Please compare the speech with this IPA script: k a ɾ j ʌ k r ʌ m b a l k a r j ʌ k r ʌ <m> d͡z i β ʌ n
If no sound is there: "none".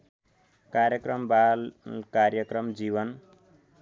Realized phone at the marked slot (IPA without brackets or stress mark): m